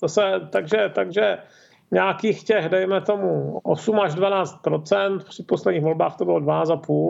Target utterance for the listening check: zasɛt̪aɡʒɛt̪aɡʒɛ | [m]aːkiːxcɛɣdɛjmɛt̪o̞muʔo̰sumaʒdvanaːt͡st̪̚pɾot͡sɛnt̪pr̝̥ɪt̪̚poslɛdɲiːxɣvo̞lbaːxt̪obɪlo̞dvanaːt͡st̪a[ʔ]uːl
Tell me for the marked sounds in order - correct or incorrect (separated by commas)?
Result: incorrect, incorrect